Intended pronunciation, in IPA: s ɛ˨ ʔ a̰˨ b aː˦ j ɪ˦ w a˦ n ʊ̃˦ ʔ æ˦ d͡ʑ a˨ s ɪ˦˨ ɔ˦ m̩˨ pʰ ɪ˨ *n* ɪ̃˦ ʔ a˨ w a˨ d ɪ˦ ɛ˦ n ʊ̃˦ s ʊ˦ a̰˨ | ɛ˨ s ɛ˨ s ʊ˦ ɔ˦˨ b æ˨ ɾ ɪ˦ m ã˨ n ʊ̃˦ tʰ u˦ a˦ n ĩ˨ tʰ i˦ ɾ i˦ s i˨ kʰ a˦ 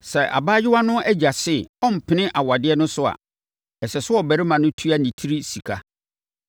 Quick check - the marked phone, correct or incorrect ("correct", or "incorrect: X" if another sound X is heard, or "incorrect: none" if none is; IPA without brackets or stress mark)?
correct